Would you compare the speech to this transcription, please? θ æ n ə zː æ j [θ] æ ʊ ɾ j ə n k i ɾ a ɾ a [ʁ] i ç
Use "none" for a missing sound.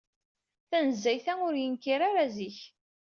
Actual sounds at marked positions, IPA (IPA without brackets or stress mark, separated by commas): θ, z